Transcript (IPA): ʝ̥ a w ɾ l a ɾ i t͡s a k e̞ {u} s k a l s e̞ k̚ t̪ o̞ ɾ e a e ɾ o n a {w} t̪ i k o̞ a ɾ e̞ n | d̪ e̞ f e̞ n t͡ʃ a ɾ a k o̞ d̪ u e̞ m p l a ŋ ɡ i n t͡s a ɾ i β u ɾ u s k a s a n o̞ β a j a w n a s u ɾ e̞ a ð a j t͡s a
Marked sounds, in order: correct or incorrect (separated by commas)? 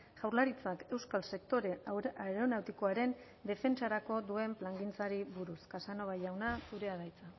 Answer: incorrect, correct